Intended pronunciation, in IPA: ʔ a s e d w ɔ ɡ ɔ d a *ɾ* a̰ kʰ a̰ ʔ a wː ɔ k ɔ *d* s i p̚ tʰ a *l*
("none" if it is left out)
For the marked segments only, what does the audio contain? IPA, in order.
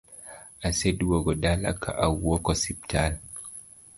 l, none, l

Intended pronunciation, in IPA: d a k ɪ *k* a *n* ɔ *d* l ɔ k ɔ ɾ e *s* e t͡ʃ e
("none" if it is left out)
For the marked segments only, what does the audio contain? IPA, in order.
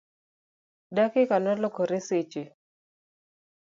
k, n, none, s

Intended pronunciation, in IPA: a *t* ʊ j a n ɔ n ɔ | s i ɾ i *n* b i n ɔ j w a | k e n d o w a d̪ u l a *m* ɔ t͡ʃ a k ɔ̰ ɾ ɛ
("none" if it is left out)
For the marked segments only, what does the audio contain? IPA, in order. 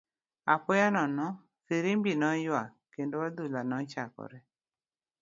p, m, n

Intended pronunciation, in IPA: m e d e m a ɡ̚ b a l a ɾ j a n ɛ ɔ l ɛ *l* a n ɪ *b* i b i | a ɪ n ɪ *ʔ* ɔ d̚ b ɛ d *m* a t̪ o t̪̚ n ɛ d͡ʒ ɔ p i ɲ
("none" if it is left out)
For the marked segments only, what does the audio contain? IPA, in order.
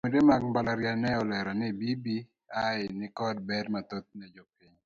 ɾ, b, k, m

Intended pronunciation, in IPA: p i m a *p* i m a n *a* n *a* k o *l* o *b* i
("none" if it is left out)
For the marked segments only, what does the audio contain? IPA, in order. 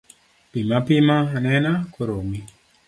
p, ɛ, a, ɾ, m

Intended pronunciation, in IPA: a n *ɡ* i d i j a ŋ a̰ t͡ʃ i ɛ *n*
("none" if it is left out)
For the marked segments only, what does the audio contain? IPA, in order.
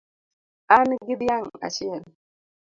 ɡ, n

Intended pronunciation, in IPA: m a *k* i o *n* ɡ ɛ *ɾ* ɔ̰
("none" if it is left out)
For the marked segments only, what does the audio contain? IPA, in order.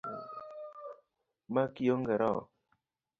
k, ŋ, ɾ

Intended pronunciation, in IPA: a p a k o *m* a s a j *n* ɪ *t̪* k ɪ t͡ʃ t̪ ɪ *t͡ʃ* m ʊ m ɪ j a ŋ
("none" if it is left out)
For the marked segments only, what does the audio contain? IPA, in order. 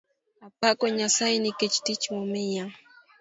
ɲ, n, none, t͡ʃ

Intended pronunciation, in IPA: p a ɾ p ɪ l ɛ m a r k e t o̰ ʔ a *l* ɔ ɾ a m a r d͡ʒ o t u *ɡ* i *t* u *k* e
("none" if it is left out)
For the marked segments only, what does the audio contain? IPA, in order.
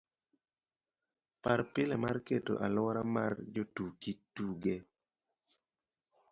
l, k, t, ɡ

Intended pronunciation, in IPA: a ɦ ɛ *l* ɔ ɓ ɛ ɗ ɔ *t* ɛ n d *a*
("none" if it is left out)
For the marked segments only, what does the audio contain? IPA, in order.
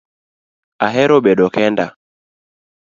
ɾ, k, a

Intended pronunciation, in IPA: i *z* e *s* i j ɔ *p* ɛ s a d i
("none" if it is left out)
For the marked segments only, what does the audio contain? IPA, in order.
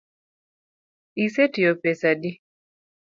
s, t, p

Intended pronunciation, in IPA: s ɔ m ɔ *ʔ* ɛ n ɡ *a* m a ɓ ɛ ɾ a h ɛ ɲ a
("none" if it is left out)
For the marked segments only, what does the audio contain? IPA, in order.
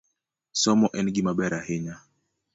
ʔ, i

